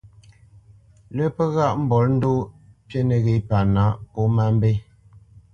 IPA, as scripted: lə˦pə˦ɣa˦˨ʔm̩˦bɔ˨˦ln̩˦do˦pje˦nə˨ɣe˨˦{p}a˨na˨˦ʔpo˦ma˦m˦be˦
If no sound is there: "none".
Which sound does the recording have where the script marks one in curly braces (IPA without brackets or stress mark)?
p